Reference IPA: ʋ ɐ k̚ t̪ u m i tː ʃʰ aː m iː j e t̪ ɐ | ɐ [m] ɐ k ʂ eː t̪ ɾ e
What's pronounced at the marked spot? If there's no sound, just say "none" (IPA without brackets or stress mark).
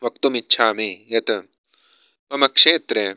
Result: m